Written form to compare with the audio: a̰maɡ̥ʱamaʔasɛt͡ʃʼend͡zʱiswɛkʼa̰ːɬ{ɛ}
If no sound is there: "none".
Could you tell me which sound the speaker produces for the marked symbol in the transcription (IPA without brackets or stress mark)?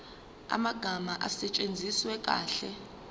ɛ